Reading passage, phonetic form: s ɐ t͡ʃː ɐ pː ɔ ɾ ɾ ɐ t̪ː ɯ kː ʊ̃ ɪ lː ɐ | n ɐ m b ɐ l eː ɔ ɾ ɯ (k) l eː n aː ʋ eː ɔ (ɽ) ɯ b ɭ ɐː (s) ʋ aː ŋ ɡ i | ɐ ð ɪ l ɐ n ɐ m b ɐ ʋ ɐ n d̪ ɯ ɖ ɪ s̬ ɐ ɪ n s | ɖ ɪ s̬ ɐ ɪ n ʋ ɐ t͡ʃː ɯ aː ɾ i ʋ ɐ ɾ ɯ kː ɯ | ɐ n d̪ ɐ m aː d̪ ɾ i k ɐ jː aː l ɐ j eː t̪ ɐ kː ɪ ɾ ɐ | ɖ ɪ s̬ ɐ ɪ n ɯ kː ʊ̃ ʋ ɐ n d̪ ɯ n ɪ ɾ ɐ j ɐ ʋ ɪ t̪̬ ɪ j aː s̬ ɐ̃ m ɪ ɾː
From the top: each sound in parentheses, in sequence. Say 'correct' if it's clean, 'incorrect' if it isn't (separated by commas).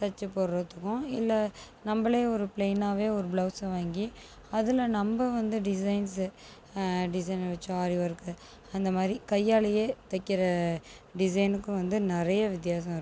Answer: incorrect, incorrect, correct